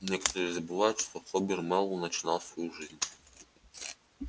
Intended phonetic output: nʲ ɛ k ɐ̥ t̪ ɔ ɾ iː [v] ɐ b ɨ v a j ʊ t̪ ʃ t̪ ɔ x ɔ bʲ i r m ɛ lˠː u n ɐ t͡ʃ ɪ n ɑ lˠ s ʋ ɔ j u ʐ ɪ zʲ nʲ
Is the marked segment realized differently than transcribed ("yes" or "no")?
yes